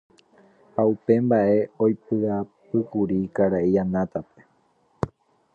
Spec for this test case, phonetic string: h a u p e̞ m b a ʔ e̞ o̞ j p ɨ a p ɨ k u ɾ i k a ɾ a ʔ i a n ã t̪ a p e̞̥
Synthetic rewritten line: h a u p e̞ m b a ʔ e̞ o̞ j p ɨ a p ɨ k u ɾ i k a ɾ a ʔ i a n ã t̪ a p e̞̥